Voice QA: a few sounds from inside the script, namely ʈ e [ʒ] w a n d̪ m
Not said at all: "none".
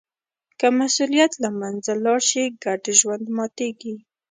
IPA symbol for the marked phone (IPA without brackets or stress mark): ʒ